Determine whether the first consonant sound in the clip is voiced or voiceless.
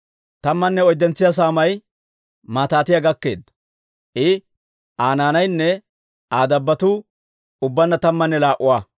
voiceless